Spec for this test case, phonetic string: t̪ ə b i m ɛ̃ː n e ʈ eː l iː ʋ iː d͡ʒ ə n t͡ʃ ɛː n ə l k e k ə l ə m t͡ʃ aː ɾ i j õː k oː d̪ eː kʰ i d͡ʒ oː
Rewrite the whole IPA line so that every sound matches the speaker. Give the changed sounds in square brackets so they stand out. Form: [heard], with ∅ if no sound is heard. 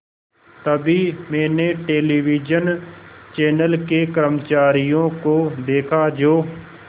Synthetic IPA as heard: t̪ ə b i m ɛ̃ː n e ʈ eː l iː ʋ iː d͡ʒ ə n t͡ʃ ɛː n ə l k e k ə [ɾ] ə m t͡ʃ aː ɾ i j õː k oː d̪ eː kʰ [a] d͡ʒ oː